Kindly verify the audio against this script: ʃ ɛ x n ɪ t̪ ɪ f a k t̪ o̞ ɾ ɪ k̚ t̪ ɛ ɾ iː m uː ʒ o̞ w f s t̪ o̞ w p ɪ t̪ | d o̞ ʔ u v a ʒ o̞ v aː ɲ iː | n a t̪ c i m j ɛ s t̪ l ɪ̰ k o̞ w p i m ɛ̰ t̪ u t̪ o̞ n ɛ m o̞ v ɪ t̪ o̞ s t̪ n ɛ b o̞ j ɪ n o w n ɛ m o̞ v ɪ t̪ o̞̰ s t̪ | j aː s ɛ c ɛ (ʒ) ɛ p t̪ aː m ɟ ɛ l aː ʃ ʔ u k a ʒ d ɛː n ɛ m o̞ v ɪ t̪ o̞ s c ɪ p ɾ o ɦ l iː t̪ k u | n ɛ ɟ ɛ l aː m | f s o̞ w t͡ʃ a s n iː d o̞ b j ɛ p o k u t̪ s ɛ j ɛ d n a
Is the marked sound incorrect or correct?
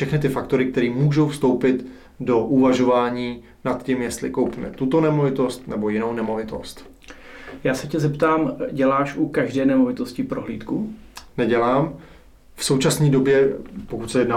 incorrect